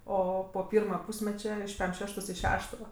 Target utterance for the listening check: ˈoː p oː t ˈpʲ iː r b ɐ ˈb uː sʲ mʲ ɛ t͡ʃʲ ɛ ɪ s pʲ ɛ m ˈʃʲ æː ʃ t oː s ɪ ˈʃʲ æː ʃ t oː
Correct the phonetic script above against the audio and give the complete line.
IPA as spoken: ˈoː p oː ˈpʲ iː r m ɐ ˈp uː sʲ mʲ ɛ t͡ʃʲ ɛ ɪ ʃ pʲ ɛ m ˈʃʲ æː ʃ t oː s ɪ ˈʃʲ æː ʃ t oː